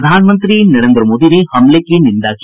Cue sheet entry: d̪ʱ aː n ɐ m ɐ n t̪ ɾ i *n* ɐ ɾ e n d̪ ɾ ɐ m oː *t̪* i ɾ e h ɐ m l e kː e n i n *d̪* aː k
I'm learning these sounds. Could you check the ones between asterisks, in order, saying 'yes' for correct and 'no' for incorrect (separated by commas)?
yes, no, yes